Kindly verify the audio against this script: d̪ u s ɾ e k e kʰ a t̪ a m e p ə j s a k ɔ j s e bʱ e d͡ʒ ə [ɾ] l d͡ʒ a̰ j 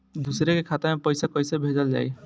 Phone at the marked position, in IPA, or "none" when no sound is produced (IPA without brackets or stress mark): none